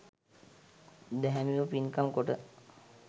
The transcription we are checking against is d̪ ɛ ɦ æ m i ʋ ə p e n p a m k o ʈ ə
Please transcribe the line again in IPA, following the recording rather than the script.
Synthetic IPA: d̪ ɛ ɦ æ m i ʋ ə p i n k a m k o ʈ ə